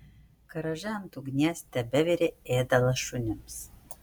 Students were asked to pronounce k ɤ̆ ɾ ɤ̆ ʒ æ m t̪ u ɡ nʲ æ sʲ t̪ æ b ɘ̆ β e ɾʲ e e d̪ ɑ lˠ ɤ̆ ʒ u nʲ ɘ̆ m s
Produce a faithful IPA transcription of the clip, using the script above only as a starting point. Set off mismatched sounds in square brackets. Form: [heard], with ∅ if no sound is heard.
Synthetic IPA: k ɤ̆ ɾ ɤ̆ ʒ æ m t̪ u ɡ nʲ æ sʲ t̪ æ b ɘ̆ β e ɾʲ e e d̪ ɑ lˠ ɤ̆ [ʃ] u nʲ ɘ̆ m s